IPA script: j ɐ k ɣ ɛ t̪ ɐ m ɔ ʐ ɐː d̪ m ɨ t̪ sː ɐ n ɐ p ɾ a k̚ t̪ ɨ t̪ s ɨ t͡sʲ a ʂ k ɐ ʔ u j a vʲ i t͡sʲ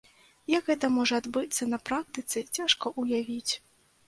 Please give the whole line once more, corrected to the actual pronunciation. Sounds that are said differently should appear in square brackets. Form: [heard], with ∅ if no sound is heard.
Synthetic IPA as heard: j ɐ k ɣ ɛ t̪ ɐ m ɔ ʐ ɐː d̪ [b] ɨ t̪ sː ɐ n ɐ p ɾ a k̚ t̪ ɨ t̪ s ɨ t͡sʲ a ʂ k ɐ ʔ u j a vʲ i t͡sʲ